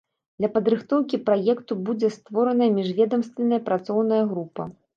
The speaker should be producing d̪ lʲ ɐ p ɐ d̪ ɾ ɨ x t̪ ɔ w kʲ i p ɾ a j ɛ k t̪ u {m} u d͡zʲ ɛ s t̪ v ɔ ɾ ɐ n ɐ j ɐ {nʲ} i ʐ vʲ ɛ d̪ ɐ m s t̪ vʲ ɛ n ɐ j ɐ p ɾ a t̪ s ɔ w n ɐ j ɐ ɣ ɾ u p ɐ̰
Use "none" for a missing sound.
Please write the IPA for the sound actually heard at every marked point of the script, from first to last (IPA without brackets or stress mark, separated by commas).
b, mʲ